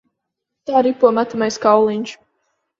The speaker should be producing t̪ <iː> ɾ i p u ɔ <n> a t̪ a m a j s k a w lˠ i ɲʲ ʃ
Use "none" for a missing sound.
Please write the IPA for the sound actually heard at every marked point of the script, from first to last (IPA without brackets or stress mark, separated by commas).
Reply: aː, m